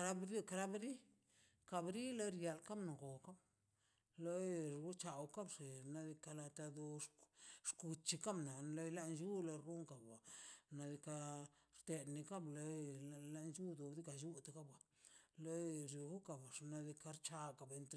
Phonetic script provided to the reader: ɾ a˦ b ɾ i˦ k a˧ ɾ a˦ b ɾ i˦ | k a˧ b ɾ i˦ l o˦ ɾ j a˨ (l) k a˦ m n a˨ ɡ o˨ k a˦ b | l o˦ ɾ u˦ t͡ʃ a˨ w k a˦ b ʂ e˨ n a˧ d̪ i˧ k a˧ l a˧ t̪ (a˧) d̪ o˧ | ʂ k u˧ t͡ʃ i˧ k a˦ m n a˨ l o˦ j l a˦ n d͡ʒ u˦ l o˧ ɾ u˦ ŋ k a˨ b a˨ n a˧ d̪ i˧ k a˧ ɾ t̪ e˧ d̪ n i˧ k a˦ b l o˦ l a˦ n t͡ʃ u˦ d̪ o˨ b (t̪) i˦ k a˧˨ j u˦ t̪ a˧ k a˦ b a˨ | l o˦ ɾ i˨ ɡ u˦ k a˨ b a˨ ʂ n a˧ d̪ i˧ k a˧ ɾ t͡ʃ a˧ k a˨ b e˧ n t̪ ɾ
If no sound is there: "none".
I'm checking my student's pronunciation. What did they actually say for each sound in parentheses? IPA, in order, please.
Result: l, a˧, d̪

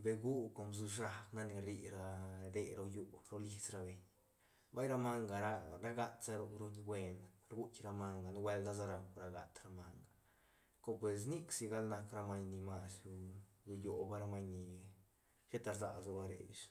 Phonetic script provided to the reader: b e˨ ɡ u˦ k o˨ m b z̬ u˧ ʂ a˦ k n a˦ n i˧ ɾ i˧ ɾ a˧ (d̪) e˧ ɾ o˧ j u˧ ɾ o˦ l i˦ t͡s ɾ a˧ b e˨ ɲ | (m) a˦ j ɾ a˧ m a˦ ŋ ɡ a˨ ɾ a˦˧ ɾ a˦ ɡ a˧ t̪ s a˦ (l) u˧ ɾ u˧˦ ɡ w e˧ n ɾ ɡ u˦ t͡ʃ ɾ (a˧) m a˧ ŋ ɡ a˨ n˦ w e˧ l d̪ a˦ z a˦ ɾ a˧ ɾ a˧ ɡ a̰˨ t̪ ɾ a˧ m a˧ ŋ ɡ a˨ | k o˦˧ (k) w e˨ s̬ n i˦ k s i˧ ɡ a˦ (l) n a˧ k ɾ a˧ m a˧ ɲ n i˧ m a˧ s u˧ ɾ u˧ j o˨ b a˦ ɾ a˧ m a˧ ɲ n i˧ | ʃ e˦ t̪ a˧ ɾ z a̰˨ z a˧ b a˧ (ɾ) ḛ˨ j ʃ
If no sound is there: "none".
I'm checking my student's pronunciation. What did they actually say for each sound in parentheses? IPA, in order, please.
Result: d̪, b, ɾ, a˧, p, l, ɾ

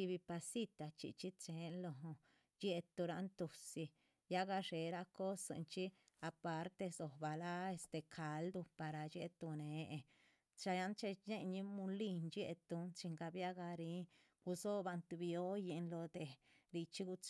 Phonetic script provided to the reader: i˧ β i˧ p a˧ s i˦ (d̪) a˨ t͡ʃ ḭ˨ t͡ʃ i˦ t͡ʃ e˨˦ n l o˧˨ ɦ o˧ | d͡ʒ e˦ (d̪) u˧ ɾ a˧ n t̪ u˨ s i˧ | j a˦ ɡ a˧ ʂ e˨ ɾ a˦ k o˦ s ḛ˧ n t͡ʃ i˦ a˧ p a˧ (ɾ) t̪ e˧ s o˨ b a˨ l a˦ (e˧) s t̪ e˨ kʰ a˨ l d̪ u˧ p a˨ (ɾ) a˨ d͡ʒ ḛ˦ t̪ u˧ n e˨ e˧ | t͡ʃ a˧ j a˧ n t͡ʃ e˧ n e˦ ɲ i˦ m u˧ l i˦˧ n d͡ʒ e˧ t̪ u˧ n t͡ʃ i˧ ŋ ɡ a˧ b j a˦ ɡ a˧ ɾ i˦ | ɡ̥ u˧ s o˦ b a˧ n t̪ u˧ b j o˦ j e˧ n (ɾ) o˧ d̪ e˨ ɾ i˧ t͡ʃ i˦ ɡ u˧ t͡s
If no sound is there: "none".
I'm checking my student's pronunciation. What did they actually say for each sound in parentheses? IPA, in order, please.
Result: t̪, t̪, ɾ, e˧, ɾ, l

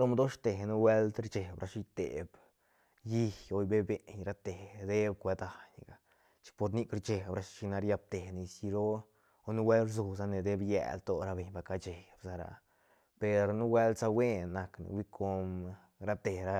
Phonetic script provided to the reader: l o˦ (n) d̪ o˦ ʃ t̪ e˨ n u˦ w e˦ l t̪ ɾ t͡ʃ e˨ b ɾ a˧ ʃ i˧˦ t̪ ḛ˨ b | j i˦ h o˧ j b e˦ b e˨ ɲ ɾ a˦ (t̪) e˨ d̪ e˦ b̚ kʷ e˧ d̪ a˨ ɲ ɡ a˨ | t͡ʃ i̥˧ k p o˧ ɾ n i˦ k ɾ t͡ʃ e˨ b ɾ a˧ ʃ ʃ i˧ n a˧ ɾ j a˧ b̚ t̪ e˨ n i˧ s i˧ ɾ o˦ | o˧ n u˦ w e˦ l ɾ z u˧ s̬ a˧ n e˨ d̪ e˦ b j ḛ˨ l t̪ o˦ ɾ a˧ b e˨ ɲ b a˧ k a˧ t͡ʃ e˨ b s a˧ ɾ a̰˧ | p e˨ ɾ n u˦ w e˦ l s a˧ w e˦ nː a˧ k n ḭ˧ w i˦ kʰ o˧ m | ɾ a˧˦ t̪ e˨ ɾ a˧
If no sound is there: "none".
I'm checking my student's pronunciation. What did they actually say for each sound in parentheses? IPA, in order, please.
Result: m, t̪

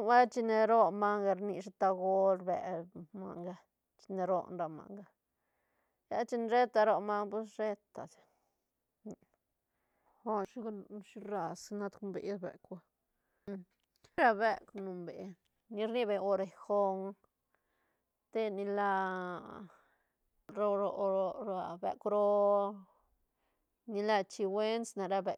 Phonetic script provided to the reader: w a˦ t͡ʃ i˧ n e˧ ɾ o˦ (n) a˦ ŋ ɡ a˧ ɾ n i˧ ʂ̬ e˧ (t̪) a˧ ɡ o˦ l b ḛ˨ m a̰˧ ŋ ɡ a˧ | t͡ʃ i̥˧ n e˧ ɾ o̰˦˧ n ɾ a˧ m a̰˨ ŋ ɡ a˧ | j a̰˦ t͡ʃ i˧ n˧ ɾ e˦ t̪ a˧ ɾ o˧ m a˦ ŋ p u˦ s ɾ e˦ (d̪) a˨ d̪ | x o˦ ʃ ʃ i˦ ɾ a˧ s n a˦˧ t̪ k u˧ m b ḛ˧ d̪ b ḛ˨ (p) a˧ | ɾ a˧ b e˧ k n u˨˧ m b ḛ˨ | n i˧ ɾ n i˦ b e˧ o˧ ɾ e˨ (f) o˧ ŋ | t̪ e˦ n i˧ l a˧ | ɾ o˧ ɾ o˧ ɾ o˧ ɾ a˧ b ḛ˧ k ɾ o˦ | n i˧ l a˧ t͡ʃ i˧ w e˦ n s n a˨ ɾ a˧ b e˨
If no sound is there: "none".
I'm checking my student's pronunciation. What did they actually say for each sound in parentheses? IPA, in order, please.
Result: m, t̪, t̪, k, x

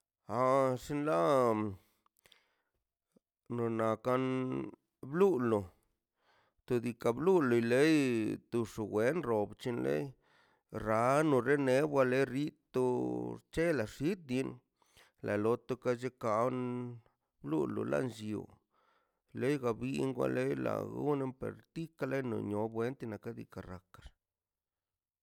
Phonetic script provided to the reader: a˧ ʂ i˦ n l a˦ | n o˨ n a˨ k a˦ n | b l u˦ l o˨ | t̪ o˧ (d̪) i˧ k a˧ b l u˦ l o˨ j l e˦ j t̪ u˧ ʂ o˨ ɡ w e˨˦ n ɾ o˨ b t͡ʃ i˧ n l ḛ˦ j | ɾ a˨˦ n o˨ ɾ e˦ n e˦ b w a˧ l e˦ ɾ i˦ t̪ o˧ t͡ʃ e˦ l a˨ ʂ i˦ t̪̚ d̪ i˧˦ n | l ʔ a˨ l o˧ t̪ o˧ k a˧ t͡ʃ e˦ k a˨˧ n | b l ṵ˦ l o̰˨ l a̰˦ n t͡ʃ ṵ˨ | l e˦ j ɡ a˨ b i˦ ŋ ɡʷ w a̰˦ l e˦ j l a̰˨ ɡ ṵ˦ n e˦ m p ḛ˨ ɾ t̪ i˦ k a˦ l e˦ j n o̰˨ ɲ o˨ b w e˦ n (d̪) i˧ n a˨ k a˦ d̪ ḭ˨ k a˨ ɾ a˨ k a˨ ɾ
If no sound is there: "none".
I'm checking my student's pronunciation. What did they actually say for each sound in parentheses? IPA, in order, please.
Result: d̪, t̪

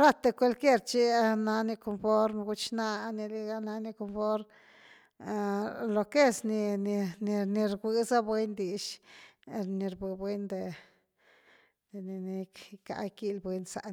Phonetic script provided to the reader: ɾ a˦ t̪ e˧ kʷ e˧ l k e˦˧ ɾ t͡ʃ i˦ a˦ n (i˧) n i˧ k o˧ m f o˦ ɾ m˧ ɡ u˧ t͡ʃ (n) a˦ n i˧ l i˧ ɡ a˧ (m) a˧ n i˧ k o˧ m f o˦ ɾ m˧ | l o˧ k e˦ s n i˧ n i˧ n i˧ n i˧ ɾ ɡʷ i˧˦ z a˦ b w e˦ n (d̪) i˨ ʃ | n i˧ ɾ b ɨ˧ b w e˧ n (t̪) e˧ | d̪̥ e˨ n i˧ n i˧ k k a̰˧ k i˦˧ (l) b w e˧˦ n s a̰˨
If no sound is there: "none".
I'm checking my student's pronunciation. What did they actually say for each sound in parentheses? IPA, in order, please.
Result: a˧, n, n, d̪, d̪, l

